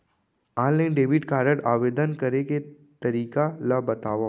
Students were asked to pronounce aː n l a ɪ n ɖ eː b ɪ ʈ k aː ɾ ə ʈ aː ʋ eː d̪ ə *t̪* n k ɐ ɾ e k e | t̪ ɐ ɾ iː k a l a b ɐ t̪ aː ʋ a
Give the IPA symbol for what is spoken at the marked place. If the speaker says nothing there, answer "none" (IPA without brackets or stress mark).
none